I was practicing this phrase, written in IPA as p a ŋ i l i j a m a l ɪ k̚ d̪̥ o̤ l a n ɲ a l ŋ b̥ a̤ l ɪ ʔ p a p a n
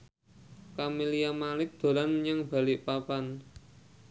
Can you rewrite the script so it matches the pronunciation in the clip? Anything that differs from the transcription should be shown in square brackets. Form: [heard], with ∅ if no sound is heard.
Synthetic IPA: [k] a [m] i l i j a m a l ɪ k̚ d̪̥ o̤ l a n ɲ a [∅] ŋ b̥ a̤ l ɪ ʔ p a p a n